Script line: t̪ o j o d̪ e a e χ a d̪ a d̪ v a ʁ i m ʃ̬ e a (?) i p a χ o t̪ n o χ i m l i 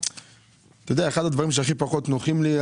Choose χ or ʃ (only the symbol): χ